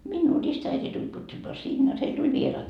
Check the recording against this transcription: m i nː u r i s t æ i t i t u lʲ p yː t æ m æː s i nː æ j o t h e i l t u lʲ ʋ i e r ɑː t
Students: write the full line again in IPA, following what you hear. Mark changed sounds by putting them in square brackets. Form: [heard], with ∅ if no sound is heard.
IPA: m i nː [uː] r i s t æ i t i t u lʲ p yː t æ m æː s i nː [e] j o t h e i l t u lʲ ʋ i e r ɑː t